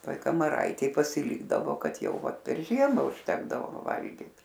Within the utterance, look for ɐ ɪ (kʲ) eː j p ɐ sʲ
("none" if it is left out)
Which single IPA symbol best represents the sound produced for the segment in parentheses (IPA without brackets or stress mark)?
tʲ